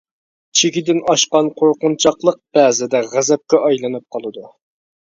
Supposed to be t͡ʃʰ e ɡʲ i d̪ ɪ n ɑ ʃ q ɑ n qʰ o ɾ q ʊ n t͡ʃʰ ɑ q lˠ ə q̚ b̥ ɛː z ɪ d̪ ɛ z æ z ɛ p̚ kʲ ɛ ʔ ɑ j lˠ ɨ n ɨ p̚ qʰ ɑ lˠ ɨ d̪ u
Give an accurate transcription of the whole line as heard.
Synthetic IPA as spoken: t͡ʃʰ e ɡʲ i d̪ ɪ n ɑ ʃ q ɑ n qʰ o ɾ q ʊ n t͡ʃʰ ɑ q lˠ ə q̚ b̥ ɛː z ɪ d̪ ɛ ʁ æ z ɛ p̚ kʲ ɛ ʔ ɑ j lˠ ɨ n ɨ p̚ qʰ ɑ lˠ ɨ d̪ u